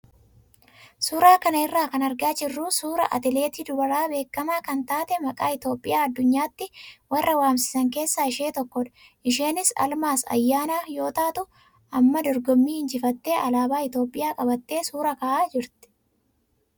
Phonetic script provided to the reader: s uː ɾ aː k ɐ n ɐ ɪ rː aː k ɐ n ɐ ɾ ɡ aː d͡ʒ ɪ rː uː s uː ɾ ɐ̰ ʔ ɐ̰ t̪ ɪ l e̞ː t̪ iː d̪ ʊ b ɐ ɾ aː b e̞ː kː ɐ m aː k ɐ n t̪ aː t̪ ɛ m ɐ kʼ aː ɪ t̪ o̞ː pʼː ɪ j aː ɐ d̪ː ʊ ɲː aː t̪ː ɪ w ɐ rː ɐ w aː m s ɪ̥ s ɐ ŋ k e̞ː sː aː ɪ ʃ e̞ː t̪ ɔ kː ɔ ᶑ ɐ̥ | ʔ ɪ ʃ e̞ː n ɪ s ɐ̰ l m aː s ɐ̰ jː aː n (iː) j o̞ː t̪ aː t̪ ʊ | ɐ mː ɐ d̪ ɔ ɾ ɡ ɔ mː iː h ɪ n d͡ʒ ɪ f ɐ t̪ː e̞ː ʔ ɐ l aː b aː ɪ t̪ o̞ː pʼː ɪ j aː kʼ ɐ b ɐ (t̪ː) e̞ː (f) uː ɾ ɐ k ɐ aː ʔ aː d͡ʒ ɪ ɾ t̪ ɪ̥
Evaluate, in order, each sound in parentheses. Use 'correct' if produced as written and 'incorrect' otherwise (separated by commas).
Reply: incorrect, correct, incorrect